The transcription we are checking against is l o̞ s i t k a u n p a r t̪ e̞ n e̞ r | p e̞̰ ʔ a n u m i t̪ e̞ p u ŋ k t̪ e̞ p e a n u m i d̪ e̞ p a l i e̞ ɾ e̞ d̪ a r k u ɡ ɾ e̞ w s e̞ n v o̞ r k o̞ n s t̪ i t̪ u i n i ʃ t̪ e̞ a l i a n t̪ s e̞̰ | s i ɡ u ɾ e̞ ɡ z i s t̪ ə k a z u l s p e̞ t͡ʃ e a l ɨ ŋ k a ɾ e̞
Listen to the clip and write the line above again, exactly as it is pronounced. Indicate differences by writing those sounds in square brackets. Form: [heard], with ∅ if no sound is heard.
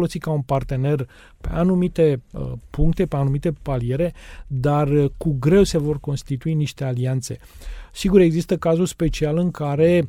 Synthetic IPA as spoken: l o̞ s i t k a u n p a r t̪ e̞ n e̞ r | p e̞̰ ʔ a n u m i t̪ e̞ p u ŋ k t̪ e̞ p e a n u m i [t̪] e̞ p a l i e̞ ɾ e̞ d̪ a r k u ɡ ɾ e̞ w s e̞ [∅] v o̞ r k o̞ n s t̪ i t̪ u i n i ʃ t̪ e̞ a l i a n t̪ s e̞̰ | s i ɡ u ɾ e̞ ɡ z i s t̪ ə k a z u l s p e̞ t͡ʃ [i] a l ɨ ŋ k a ɾ e̞